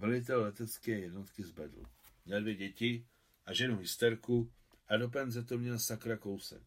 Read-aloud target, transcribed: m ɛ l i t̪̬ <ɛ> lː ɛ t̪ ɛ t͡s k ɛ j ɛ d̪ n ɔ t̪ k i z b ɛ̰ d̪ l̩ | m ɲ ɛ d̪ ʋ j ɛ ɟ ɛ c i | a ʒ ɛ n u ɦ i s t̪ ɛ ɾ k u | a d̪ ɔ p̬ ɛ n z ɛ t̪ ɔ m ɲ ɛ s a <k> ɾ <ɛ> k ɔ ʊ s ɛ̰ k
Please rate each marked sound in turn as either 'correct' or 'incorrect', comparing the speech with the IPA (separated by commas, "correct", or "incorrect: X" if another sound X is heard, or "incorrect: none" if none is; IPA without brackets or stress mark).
correct, correct, incorrect: a